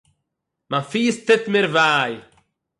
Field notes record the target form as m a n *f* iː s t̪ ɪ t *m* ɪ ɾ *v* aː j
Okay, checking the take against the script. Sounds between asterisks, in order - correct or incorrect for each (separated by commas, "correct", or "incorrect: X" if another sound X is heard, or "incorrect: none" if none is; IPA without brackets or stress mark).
correct, correct, correct